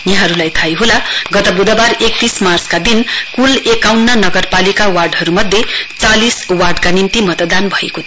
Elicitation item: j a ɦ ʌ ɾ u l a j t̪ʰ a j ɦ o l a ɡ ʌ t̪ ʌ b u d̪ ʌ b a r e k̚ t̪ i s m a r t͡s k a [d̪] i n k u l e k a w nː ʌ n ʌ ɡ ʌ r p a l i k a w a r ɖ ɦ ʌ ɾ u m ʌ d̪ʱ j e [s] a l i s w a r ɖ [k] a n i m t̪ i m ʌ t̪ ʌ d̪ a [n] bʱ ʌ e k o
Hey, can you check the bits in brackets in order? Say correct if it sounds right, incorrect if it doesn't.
correct, incorrect, correct, correct

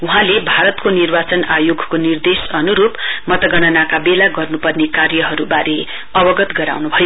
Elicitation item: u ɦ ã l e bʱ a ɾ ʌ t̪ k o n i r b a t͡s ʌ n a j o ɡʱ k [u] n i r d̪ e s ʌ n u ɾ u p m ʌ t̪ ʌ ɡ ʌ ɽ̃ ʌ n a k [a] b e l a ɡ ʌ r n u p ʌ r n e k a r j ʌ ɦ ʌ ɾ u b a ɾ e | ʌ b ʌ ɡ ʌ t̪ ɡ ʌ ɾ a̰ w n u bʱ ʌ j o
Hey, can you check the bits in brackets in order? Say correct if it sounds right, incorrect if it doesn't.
incorrect, correct

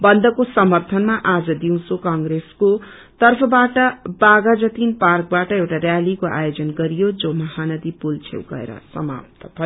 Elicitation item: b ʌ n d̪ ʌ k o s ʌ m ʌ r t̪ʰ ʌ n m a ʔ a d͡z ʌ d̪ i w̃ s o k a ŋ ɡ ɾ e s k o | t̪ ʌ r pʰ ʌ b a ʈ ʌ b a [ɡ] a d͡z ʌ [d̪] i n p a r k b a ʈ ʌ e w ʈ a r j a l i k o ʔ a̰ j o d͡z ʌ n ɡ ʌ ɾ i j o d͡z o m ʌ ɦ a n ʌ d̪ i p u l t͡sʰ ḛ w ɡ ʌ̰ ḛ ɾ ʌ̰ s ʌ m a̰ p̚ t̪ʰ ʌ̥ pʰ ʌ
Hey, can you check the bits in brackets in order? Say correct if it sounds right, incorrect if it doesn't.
correct, incorrect

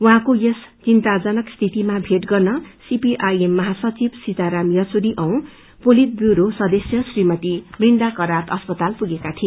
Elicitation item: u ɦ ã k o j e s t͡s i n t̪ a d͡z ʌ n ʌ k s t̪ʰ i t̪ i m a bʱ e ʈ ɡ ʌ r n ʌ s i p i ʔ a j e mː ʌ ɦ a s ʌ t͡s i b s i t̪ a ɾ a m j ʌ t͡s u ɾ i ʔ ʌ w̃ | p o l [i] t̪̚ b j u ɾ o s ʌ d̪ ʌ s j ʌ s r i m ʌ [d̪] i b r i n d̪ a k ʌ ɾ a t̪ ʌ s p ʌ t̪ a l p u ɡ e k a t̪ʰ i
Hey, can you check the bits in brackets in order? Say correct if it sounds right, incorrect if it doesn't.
correct, incorrect

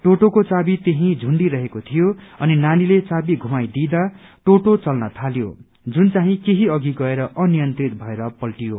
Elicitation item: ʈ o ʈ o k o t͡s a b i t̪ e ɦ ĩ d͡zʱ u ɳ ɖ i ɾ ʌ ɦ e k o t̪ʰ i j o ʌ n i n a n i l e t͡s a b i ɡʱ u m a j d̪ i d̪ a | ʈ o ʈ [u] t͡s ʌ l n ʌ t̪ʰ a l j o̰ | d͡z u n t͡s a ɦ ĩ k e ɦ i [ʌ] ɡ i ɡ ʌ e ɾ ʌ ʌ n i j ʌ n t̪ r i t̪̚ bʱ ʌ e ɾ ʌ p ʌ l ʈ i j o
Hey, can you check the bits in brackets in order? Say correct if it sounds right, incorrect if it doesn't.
incorrect, correct

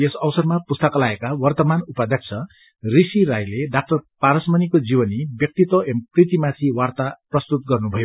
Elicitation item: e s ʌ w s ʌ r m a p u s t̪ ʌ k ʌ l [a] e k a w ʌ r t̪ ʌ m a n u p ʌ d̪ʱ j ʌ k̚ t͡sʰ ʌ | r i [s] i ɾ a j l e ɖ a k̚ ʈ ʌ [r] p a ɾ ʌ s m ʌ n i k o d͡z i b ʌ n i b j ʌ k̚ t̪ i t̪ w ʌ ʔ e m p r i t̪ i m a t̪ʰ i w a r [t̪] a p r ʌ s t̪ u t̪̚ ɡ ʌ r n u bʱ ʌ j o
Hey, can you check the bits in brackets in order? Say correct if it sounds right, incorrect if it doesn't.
correct, correct, correct, correct

